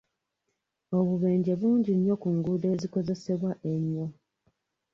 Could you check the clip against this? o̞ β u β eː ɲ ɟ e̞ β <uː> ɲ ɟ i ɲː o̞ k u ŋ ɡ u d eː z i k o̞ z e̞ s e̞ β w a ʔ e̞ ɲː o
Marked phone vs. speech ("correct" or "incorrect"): correct